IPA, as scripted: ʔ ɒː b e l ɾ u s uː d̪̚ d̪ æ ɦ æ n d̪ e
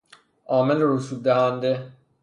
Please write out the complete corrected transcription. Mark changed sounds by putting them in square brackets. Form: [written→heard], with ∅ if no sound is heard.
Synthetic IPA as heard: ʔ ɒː [b→m] e l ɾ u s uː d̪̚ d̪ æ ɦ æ n d̪ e